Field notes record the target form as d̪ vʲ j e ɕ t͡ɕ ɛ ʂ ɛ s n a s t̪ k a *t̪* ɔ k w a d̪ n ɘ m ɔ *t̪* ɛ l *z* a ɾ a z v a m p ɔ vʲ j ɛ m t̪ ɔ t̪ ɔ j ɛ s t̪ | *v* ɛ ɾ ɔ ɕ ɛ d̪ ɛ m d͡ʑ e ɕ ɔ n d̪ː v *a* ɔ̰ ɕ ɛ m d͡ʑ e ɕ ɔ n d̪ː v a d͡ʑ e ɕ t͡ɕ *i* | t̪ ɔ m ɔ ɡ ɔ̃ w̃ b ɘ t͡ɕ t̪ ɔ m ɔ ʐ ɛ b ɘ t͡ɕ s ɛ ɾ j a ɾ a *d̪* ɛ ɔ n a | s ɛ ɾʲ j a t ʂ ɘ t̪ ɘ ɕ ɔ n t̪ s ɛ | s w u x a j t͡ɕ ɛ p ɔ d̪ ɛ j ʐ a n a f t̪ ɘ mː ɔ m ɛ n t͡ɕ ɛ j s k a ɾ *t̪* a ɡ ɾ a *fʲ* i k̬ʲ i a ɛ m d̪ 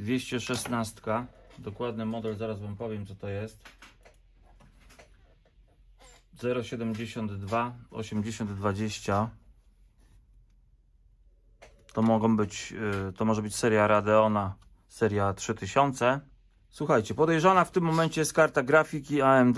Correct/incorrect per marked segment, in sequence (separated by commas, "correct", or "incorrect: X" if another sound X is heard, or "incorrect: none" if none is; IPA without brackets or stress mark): incorrect: d̪, incorrect: d̪, correct, incorrect: z, correct, incorrect: a, correct, correct, correct